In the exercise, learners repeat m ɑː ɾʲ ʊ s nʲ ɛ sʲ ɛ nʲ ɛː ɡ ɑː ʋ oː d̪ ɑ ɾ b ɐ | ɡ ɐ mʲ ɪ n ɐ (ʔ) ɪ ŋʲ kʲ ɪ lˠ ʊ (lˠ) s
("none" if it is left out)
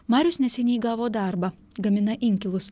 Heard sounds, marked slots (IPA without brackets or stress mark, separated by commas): ʔ, none